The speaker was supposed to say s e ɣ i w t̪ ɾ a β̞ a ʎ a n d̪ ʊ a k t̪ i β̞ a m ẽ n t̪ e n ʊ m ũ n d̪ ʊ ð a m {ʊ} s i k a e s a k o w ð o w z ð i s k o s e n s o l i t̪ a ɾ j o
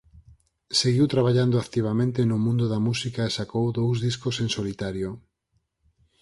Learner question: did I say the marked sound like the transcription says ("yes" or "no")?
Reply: no